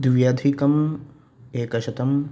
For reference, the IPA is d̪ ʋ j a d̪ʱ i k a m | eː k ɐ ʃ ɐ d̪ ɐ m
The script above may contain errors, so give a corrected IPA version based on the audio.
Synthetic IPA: d̪ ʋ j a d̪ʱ i k ɐ m | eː k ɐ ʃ ɐ t̪ ɐ m